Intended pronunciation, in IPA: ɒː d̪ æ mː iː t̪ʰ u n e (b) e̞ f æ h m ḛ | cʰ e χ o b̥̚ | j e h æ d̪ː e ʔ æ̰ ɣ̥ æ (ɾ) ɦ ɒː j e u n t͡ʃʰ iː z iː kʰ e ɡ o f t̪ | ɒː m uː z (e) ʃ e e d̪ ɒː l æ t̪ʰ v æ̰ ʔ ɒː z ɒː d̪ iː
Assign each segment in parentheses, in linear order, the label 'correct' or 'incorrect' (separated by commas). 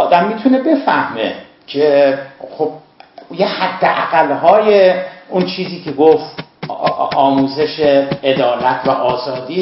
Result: correct, incorrect, correct